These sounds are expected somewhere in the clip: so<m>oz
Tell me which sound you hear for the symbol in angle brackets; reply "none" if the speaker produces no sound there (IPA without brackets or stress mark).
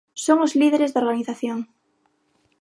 ŋ